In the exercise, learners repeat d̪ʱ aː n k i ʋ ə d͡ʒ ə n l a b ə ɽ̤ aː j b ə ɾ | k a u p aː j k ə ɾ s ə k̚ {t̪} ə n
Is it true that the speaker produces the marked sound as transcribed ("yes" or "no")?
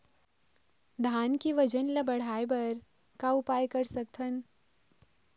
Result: no